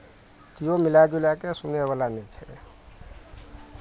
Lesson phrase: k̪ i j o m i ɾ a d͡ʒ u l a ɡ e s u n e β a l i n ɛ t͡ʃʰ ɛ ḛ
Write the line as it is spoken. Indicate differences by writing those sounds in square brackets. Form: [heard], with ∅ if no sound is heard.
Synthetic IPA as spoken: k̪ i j o m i [l] a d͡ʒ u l a [k] e s u n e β a l [a] n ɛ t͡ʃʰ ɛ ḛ